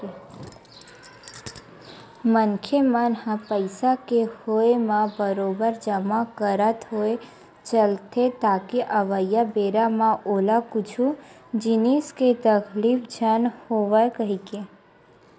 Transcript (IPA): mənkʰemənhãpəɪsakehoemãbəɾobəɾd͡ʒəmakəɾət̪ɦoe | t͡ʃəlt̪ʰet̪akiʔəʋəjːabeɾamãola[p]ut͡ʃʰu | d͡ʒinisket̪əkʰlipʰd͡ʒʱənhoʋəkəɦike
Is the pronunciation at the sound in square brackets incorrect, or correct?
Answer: incorrect